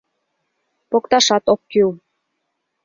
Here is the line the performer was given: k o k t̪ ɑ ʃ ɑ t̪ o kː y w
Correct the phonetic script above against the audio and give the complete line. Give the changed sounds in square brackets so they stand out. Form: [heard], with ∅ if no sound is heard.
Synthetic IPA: [p] o k t̪ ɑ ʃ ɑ t̪ o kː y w